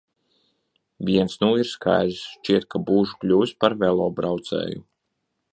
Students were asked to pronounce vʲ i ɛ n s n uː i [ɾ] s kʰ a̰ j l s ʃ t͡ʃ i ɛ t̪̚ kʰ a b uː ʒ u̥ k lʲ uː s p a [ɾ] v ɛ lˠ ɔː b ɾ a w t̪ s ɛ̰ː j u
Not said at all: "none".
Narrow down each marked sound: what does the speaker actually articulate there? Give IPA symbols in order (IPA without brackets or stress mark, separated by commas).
ɾ, ɾ